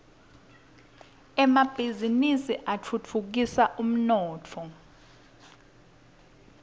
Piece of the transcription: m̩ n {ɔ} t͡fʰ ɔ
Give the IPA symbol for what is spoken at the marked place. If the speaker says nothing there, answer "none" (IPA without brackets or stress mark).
ɔː